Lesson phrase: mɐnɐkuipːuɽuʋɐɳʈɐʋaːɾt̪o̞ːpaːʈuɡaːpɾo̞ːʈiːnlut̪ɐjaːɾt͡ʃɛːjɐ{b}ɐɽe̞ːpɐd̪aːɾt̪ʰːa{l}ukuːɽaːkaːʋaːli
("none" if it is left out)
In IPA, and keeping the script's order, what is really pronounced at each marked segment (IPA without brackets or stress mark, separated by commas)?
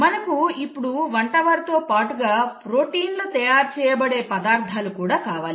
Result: b, l